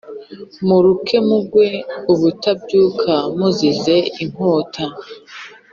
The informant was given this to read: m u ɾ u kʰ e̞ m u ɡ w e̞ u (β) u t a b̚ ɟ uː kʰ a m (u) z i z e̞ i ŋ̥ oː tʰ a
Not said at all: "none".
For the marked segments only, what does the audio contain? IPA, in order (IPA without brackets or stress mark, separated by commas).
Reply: β, u